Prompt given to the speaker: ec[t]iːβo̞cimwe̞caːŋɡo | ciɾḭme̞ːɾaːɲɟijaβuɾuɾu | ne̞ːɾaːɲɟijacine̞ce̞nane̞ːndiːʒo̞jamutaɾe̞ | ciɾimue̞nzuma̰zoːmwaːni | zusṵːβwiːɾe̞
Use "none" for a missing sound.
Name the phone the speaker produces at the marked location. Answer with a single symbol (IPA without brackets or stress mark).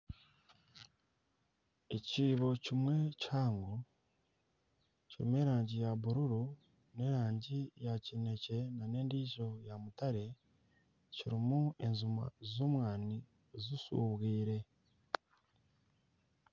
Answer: c